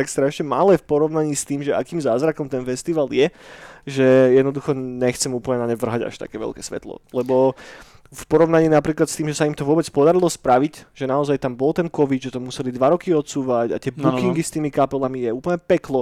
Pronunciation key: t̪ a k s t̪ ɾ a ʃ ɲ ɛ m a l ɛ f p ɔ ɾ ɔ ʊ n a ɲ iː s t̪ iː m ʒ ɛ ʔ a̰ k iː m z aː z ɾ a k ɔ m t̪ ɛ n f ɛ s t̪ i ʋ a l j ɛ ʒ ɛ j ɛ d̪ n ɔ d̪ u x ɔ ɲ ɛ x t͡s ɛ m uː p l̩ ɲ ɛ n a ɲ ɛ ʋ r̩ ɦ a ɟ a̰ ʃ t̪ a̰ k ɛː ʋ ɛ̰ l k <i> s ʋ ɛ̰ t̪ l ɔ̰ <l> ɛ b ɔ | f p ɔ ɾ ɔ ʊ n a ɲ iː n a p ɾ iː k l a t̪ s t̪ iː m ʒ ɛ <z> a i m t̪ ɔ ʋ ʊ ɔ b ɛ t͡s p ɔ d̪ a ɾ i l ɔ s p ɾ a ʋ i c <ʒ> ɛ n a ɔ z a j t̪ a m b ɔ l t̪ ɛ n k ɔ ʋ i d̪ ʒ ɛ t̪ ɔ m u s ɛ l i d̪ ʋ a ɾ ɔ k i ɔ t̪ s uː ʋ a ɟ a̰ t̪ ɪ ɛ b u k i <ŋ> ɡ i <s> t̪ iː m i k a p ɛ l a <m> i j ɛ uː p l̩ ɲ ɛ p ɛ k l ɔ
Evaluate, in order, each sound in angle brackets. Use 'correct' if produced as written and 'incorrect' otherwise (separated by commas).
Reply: incorrect, correct, incorrect, correct, correct, correct, correct